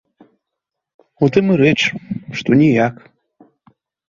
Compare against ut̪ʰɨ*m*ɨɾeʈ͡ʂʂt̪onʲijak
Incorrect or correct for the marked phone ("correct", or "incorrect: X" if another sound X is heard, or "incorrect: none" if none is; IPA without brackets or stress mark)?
correct